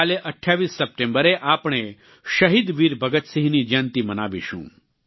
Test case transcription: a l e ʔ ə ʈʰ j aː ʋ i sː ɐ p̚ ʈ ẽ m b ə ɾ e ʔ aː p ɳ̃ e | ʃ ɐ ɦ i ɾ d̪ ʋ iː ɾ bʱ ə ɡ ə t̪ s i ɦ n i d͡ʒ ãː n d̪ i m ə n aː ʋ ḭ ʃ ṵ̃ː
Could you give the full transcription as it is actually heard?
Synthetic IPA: a l e ʔ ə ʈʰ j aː ʋ i sː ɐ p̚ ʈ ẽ m b ə ɾ e ʔ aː p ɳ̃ e | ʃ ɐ ɦ i d̪ ʋ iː ɾ bʱ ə ɡ ə t̪ s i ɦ n i d͡ʒ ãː n t̪ i m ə n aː ʋ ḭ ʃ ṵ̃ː